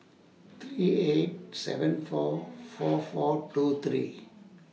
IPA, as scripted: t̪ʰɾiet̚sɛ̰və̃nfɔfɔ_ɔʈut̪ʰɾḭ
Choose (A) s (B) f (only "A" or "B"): B